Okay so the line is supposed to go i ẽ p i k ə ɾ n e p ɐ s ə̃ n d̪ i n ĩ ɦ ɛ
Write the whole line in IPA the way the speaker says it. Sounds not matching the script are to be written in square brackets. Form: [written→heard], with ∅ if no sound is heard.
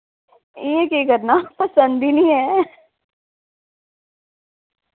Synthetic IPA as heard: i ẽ [p→k] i k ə ɾ n [e→a] p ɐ s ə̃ n d̪ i n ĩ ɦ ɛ